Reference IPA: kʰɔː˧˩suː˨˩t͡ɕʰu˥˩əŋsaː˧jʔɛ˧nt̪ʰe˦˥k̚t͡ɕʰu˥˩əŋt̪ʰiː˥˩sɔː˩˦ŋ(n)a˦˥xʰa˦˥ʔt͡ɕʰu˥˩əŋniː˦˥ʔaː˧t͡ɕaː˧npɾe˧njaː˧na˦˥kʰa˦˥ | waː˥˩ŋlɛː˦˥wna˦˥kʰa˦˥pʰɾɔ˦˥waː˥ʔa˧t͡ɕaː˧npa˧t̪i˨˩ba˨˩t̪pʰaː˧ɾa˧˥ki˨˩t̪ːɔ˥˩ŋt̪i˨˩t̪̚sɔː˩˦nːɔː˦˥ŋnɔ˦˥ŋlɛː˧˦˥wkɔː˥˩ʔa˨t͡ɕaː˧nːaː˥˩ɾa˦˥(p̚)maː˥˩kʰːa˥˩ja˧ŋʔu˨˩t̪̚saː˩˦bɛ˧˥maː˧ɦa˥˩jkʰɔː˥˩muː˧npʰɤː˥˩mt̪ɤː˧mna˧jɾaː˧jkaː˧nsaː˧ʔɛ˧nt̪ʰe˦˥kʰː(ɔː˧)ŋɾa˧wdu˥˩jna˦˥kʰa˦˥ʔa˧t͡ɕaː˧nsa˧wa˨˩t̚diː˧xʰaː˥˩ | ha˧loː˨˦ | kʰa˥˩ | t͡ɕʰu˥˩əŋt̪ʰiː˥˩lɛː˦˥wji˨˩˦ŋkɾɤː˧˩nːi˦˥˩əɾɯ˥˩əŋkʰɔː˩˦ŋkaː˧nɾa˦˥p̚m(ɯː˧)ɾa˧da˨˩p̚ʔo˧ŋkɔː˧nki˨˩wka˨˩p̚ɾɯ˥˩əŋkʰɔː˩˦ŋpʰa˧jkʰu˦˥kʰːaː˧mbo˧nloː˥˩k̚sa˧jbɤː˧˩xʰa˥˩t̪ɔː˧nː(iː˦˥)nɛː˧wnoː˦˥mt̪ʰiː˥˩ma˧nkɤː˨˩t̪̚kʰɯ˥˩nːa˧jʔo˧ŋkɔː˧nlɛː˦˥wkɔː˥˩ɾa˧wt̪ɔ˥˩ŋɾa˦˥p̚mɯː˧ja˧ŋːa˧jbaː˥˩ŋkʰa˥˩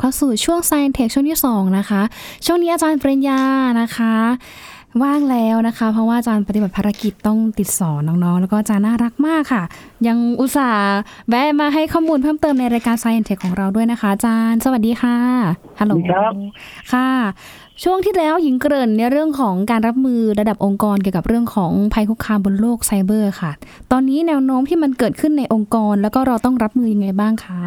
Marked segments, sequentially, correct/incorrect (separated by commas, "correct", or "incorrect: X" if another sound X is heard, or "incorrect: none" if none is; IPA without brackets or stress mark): correct, incorrect: k̚, incorrect: ɔː˩˦, correct, correct